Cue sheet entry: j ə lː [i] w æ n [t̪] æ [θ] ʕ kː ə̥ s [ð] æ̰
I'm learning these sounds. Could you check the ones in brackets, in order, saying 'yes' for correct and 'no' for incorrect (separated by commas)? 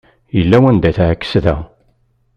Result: no, no, yes, yes